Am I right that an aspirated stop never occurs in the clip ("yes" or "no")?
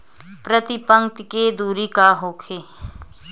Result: no